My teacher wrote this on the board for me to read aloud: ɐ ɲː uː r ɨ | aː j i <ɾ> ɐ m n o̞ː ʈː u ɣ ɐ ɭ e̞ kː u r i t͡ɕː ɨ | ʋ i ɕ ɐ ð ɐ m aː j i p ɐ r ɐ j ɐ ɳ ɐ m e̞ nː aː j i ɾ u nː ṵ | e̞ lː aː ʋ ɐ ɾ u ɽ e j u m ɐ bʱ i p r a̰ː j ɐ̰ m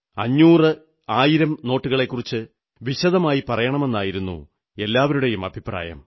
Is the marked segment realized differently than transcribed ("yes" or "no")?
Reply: no